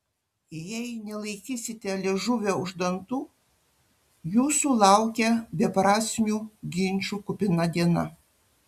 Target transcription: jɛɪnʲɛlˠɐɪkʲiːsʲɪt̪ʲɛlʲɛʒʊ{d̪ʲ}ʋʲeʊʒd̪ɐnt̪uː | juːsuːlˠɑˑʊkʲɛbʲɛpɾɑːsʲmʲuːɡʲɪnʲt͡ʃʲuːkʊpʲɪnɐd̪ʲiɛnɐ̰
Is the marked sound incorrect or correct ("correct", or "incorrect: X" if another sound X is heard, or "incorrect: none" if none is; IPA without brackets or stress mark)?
incorrect: none